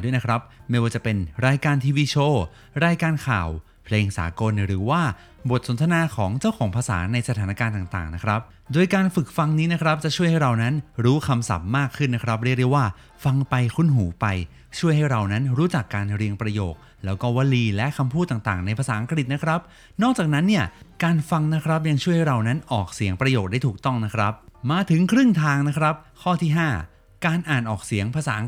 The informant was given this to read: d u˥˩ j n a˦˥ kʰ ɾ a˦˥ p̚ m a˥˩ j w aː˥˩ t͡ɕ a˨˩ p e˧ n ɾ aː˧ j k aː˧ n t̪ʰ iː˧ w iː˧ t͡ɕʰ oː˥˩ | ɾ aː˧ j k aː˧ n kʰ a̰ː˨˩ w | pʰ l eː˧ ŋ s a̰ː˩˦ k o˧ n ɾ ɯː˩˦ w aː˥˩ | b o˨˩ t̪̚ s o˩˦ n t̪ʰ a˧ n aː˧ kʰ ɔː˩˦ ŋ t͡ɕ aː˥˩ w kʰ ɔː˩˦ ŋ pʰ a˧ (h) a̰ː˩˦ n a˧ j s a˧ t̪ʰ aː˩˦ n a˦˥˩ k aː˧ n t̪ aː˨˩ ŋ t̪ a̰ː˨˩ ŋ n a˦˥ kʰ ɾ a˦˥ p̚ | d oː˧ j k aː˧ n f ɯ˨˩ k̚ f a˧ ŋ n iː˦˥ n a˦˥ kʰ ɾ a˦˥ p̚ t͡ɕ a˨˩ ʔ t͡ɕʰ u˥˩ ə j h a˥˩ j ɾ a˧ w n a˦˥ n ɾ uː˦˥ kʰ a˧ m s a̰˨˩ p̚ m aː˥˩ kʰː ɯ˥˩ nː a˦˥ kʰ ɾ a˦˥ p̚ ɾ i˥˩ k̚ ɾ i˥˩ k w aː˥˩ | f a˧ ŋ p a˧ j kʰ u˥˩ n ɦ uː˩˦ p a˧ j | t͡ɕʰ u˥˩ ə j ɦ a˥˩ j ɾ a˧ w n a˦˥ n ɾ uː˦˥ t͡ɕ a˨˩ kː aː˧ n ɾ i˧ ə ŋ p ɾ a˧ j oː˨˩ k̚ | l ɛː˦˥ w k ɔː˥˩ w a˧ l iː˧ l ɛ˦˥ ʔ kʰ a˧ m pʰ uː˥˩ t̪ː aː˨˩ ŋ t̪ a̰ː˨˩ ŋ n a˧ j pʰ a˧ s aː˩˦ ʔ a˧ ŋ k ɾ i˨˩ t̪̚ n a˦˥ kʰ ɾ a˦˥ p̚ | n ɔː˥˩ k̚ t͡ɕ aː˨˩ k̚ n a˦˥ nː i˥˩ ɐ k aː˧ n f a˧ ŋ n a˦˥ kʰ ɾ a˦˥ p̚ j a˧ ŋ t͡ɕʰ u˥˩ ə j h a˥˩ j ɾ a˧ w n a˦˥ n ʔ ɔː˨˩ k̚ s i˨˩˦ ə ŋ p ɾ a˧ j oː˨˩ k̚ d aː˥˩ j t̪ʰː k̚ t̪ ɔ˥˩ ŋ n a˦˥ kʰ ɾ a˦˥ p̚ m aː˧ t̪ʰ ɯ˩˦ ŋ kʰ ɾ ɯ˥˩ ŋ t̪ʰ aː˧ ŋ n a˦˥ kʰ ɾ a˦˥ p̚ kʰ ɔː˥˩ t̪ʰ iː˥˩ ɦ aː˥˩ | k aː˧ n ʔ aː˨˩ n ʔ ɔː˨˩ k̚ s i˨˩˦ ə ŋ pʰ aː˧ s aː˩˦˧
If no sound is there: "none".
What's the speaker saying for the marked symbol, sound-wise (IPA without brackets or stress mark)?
s